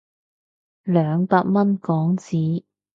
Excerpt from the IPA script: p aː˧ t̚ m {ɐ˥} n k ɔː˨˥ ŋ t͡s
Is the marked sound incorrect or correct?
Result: correct